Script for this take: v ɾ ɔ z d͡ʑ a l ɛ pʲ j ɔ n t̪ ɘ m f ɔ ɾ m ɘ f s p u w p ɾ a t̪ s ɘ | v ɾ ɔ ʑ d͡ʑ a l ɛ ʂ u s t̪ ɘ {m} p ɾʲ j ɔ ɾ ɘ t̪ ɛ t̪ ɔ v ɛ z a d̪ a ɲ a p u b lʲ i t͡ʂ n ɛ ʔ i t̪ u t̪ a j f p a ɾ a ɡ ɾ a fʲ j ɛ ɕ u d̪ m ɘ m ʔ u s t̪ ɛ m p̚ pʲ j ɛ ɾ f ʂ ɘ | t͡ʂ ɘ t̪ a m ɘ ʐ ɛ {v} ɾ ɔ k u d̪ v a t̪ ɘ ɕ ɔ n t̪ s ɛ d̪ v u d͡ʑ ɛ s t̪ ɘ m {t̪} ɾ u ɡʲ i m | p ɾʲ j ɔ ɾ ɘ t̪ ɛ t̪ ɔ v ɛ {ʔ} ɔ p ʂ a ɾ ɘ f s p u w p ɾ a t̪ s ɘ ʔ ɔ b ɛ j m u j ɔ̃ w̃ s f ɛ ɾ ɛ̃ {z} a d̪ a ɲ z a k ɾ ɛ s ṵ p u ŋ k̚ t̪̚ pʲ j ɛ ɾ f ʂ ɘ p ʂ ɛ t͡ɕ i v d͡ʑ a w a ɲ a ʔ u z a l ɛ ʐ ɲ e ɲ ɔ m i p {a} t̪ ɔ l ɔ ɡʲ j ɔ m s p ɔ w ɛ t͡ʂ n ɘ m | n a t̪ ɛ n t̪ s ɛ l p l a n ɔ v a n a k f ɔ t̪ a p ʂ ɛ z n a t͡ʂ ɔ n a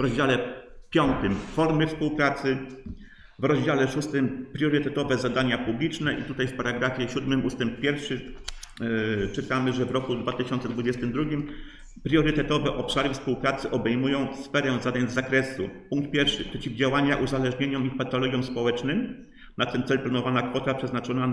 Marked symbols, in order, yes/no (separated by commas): yes, yes, no, yes, yes, yes